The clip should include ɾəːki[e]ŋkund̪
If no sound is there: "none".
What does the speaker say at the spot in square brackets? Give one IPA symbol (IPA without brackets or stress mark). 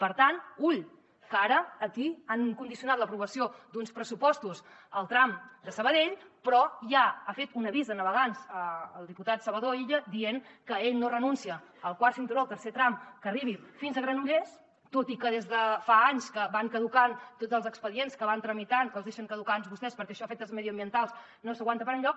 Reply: a